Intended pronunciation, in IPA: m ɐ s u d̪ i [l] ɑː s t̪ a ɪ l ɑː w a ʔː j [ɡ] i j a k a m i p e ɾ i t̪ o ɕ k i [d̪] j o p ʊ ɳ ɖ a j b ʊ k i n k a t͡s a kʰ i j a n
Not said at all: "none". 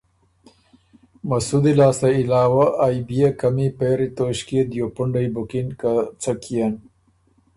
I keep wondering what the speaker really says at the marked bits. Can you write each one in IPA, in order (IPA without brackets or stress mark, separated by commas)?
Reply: l, b, d̪